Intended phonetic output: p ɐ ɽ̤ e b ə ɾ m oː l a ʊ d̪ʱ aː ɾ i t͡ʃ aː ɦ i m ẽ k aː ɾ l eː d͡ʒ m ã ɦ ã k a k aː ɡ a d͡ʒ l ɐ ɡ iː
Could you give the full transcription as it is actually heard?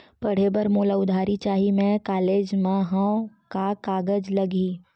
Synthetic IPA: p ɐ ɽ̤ e b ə ɾ m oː l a ʊ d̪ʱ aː ɾ i t͡ʃ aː ɦ i m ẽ k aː l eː d͡ʒ m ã ɦ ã k a k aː ɡ ə d͡ʒ l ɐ ɡ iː

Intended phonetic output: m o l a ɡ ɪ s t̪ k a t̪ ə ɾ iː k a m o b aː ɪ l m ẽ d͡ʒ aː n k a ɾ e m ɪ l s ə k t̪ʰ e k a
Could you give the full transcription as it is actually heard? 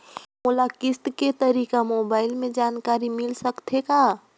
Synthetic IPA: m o l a k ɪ s t̪ k e t̪ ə ɾ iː k a m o b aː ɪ l m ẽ d͡ʒ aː n k a ɾ i m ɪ l s ə k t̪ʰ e k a

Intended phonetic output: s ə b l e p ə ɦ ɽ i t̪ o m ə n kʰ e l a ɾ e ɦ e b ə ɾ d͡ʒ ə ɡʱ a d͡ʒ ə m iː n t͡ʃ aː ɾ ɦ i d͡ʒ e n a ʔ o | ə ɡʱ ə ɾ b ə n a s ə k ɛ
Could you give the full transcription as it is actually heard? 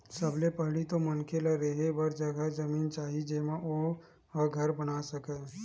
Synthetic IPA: s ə b l e p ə ɦ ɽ i t̪ o m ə n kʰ e l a ɾ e ɦ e b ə ɾ d͡ʒ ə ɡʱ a d͡ʒ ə m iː n t͡ʃ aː ɦ i d͡ʒ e m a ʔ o | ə ɡʱ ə ɾ b ə n a s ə k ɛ

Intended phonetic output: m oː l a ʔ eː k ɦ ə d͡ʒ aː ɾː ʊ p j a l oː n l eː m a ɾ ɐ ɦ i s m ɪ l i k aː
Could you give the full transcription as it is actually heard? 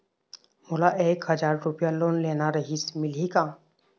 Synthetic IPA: m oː l a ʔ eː k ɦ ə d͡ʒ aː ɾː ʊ p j a l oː n l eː n a ɾ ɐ ɦ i s m ɪ l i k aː

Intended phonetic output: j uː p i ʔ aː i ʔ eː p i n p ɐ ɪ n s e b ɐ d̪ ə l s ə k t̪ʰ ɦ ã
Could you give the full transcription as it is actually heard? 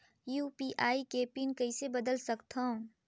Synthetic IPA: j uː p i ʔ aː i k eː p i n k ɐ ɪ s e b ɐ d̪ ə l s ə k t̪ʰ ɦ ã

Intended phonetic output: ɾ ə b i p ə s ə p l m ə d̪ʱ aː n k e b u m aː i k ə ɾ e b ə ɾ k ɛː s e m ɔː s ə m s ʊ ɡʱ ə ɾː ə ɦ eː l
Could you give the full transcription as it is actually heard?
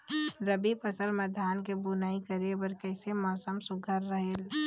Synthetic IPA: ɾ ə b i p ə s ə l m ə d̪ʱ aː n k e b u n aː i k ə ɾ e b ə ɾ k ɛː s e m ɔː s ə m s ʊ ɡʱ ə ɾː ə ɦ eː l

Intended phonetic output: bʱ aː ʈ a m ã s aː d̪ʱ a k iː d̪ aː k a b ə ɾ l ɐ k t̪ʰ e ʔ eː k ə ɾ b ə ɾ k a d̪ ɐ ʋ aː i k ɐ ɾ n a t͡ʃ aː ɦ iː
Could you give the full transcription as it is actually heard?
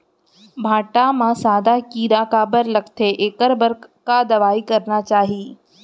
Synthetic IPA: bʱ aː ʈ a m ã s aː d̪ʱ a k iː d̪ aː k a b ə ɾ l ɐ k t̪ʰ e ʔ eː k ə ɾ b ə ɾ k a d̪ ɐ ʋ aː i k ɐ ɾ n a t͡ʃ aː ɦ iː

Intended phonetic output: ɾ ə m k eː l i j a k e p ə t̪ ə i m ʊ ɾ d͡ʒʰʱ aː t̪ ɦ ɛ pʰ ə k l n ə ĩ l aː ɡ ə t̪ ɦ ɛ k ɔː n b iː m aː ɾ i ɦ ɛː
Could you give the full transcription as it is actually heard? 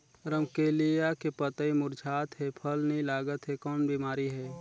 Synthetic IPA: ɾ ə m k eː l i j a k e p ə t̪ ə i m ʊ ɾ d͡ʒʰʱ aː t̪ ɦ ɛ pʰ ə l n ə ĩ l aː ɡ ə t̪ ɦ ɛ k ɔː n b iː m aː ɾ i ɦ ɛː

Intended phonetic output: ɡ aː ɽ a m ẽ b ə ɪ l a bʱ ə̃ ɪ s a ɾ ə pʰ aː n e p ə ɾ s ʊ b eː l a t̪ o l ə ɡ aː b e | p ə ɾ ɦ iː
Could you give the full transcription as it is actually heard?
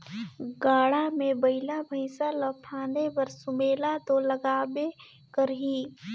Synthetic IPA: ɡ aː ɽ a m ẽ b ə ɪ l a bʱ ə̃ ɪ s a l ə pʰ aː n e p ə ɾ s ʊ m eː l a t̪ o l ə ɡ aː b e | k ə ɾ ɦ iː

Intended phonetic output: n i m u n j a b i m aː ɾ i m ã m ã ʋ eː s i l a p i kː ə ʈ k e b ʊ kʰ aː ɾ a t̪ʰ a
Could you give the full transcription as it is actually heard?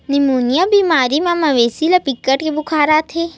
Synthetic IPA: n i m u n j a b i m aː ɾ i m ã m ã ʋ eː s i l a p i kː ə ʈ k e b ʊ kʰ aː ɾ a t̪ʰ e

